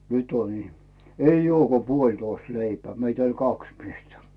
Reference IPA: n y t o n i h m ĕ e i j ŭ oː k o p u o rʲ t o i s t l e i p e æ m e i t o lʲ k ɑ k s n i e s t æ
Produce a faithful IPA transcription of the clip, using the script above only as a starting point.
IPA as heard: n y t o n i h m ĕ e i j ŭ oː k o p u o lʲ t o i s t l e i p e æ m e i t o lʲ k ɑ k s m i e s t æ